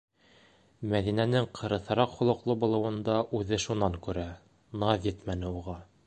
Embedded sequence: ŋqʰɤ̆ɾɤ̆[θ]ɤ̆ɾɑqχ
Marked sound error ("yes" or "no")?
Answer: no